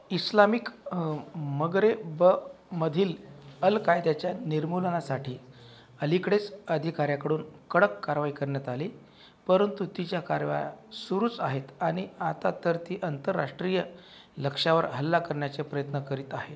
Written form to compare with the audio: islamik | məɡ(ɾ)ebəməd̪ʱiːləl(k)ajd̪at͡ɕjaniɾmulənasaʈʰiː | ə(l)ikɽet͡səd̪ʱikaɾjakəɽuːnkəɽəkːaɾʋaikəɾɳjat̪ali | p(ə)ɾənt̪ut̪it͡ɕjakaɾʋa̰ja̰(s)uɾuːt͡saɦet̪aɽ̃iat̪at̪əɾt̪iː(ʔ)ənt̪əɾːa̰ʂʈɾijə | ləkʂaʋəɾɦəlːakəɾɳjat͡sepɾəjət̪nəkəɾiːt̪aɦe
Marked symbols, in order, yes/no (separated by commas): yes, yes, yes, yes, yes, yes